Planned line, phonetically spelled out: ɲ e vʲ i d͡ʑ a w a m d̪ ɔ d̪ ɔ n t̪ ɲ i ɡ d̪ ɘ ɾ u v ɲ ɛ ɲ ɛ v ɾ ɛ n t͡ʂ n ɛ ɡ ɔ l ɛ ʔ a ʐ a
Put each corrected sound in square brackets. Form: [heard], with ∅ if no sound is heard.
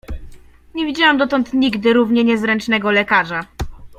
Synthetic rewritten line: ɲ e vʲ i d͡ʑ a w a m d̪ ɔ [t̪] ɔ n t̪ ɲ i ɡ d̪ ɘ ɾ u v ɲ ɛ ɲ ɛ [z] ɾ ɛ n t͡ʂ n ɛ ɡ ɔ l ɛ [k] a ʐ a